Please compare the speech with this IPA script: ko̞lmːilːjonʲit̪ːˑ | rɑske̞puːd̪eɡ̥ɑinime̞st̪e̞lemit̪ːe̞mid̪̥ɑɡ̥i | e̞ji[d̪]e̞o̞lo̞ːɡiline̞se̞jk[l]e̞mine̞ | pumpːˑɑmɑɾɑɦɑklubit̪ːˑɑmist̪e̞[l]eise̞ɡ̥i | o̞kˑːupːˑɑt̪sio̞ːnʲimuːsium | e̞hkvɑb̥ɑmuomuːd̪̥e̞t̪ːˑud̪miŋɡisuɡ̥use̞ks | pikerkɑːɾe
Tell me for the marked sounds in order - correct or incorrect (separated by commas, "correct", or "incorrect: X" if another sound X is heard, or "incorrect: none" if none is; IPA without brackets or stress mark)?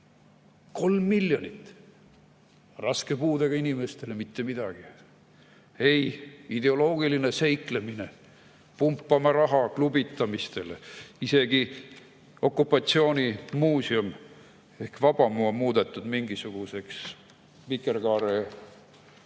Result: correct, correct, correct